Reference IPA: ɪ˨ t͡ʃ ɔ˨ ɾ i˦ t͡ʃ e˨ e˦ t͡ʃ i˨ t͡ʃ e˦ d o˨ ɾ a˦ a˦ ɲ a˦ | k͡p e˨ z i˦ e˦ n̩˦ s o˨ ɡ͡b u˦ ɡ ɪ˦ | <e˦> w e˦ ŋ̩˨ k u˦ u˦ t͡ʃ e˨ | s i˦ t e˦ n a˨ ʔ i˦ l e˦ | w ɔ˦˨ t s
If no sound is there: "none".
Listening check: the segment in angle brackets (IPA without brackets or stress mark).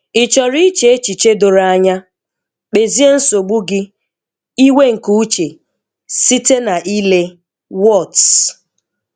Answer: i˦